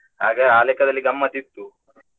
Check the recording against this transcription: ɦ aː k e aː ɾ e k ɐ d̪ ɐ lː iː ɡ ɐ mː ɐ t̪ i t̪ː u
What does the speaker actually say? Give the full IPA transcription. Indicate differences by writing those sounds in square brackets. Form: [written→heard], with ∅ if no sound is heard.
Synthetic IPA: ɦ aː [k→ɡ] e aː [ɾ→l] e k ɐ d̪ ɐ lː [iː→i] ɡ ɐ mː ɐ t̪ i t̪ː u

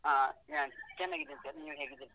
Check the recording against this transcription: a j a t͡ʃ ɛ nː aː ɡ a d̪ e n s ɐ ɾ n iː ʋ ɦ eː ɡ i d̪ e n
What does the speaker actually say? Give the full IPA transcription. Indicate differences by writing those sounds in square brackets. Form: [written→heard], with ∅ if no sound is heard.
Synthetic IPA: a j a t͡ʃ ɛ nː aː ɡ [a→i] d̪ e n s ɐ ɾ n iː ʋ ɦ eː ɡ i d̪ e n

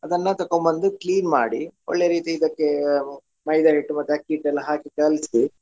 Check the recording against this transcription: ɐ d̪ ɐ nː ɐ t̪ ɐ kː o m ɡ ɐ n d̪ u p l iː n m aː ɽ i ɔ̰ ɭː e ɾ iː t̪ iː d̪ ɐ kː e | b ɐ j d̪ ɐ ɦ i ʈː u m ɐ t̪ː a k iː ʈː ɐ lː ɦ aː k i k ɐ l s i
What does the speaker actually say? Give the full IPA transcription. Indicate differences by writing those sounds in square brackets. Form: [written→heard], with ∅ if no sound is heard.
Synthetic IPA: ɐ d̪ ɐ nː ɐ t̪ ɐ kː o m [ɡ→b] ɐ n d̪ u [p→k] l iː n m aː ɽ i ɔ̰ ɭː e ɾ iː t̪ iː d̪ ɐ kː e | [b→m] ɐ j d̪ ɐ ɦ i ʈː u m ɐ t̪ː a k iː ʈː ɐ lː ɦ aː k i k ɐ l s i

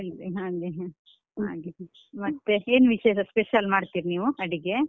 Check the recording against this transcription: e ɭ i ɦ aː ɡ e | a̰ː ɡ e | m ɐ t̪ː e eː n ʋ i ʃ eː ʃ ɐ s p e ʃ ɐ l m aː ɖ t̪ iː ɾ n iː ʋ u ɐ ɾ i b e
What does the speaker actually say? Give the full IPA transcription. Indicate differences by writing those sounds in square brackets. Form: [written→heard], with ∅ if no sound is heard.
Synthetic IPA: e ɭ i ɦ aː ɡ e | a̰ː ɡ e | m ɐ t̪ː e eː n ʋ i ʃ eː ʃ ɐ s p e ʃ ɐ l m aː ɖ t̪ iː ɾ n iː ʋ u ɐ [ɾ→ɽ] i [b→ɡ] e

